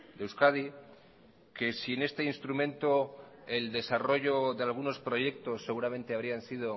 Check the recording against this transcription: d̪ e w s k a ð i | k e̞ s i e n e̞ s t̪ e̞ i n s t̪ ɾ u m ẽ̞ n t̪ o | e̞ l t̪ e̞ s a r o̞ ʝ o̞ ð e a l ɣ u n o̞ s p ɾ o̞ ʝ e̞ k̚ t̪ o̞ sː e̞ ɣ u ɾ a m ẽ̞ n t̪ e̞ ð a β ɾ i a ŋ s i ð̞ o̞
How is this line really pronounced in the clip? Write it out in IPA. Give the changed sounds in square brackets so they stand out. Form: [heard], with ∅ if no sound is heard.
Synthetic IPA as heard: d̪ e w s k a ð i | k e̞ s i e n e̞ s t̪ e̞ i n s t̪ ɾ u m ẽ̞ n t̪ o | e̞ l [d̪] e̞ s a r o̞ ʝ o̞ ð e a l ɣ u n o̞ s p ɾ o̞ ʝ e̞ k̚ t̪ o̞ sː e̞ ɣ u ɾ a m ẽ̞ n t̪ e̞ [∅] a β ɾ i a [n] s i ð̞ o̞